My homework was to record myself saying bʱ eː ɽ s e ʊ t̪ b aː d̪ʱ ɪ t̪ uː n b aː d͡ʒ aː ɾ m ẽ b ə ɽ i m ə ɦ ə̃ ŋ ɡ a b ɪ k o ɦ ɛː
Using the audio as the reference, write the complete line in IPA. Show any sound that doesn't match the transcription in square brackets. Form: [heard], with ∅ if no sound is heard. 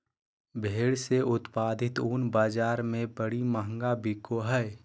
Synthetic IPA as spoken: bʱ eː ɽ s e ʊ t̪ [p] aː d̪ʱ ɪ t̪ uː n b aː d͡ʒ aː ɾ m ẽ b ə ɽ i m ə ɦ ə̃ ŋ ɡ a b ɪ k o ɦ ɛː